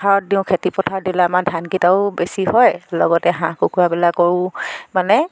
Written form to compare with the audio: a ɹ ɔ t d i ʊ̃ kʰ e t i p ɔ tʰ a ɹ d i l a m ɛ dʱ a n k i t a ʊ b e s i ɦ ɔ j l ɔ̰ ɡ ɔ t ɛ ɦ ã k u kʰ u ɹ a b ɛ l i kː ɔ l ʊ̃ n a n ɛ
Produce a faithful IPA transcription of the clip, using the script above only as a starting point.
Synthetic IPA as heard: a ɹ ɔ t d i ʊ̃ kʰ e t i p ɔ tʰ a ɹ d i l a m a dʱ a n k i t a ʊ b e s i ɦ ɔ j l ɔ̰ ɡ ɔ t ɛ ɦ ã k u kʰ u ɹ a b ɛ l a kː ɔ ɹ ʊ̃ m a n ɛ